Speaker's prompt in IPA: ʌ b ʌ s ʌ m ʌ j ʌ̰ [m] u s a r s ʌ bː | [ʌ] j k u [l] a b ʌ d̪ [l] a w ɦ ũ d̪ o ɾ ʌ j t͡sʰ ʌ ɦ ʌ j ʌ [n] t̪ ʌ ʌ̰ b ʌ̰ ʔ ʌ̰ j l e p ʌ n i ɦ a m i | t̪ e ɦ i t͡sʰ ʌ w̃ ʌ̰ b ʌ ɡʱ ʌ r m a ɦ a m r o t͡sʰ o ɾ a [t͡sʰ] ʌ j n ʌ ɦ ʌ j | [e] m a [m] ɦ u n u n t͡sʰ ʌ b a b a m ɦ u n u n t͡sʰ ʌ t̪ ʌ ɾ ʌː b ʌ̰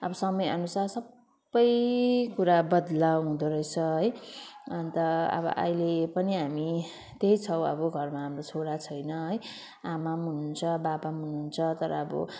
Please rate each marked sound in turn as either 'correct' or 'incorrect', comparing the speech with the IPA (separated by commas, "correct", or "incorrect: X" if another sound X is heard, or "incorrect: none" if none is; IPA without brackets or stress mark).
incorrect: n, correct, incorrect: ɾ, correct, correct, correct, incorrect: a, correct